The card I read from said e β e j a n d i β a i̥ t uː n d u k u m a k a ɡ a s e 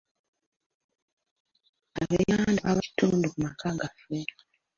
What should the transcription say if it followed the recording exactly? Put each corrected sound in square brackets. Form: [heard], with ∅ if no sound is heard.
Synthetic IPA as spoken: [a] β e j a n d [a] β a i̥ t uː n d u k u m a k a ɡ a [f] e